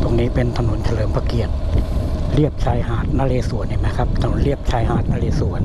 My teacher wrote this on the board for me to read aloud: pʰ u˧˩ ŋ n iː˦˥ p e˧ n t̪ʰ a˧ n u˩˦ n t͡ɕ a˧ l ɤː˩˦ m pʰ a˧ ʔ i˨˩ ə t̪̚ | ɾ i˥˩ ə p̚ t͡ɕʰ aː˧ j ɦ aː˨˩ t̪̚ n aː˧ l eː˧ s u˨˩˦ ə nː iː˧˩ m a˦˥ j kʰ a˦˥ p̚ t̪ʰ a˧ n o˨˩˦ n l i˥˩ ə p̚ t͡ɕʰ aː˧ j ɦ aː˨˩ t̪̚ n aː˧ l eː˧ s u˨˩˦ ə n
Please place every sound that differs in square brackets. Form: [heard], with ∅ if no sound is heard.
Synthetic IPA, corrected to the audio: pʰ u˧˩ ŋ n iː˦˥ p e˧ n t̪ʰ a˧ n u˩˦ n [t͡ɕʰ] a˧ l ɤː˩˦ m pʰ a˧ [k] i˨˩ ə t̪̚ | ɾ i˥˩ ə p̚ t͡ɕʰ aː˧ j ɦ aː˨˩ t̪̚ n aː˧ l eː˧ s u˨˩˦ ə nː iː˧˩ m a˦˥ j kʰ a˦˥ p̚ t̪ʰ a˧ n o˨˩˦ n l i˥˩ ə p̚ t͡ɕʰ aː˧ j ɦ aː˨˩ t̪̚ n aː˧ l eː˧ s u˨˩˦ ə n